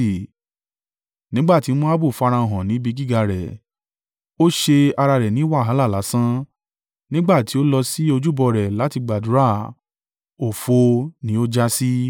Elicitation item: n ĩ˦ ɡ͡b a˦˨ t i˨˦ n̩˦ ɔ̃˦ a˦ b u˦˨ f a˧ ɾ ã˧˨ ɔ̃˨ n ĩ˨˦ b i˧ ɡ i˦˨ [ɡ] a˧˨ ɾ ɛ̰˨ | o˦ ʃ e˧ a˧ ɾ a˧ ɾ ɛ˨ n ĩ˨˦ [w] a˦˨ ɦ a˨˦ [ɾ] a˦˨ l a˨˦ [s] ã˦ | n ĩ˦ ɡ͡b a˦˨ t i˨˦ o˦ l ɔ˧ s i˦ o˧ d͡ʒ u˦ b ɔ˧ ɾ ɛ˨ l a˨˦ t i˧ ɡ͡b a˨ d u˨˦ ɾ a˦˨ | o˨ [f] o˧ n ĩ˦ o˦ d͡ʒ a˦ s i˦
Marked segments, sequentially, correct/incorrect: correct, correct, incorrect, correct, correct

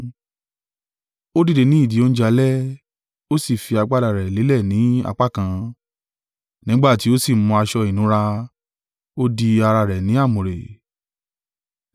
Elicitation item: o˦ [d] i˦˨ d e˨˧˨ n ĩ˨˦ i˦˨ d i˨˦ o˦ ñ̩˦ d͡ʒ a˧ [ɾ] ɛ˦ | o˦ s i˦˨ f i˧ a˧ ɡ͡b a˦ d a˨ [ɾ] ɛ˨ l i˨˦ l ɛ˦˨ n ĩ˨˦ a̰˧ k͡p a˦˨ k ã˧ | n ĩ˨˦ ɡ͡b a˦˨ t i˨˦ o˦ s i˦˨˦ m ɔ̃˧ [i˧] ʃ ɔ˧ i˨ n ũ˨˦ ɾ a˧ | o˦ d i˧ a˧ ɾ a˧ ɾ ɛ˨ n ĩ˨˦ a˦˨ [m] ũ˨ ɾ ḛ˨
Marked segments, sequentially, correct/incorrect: correct, incorrect, correct, incorrect, correct

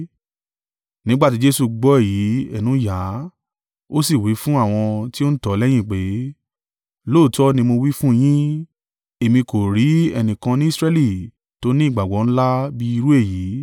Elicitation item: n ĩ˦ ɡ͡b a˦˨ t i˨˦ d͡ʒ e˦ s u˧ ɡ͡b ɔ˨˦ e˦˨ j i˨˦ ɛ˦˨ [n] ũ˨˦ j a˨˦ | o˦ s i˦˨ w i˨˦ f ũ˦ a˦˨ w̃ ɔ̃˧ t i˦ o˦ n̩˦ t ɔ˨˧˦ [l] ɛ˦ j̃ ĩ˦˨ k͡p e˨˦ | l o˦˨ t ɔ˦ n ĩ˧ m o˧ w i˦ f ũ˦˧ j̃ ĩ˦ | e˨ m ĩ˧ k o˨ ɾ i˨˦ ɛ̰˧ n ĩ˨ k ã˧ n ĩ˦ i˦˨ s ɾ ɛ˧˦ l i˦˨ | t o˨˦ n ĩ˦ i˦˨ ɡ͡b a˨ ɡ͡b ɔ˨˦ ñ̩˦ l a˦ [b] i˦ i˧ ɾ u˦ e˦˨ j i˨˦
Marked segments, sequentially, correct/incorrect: correct, correct, correct

